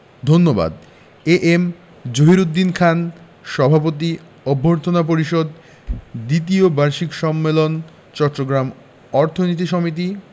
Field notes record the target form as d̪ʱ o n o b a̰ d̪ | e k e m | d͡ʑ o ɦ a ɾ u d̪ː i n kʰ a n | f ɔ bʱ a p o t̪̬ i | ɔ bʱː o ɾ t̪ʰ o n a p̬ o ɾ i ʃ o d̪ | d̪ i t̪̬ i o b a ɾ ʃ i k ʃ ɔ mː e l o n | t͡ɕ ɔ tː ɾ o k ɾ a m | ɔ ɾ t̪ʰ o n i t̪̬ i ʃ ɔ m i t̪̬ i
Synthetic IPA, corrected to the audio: d̪ʱ o nː o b a̰ d̪ | e ʔ e m | d͡ʑ o ɦ i ɾ u d̪ː i n kʰ a n | ʃ ɔ bʱ a p o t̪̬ i | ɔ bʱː o ɾ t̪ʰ o n a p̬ o ɾ i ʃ o d̪ | d̪ i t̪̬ i o b a ɾ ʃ i k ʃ ɔ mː e l o n | t͡ɕ ɔ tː ɾ o ɡ ɾ a m | ɔ ɾ t̪ʰ o n i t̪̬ i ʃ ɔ m i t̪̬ i